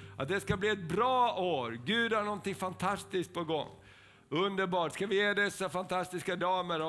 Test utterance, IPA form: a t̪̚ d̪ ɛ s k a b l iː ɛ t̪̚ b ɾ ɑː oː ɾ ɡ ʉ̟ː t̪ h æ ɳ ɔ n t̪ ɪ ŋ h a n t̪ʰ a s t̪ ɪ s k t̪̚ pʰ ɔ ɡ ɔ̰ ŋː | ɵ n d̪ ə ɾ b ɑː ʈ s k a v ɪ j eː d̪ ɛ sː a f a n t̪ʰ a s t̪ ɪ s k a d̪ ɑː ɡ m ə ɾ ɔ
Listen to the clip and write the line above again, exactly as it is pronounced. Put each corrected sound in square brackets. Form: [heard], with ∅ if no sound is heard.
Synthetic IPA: a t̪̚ d̪ ɛ s k a b l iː ɛ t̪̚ b ɾ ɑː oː ɾ ɡ ʉ̟ː [d̪] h [a] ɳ ɔ n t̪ ɪ ŋ [f] a n t̪ʰ a s t̪ ɪ s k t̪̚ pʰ ɔ ɡ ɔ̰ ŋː | ɵ n d̪ ə ɾ b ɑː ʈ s k a v ɪ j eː d̪ ɛ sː a f a n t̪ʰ a s t̪ ɪ s k a d̪ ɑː [∅] m ə ɾ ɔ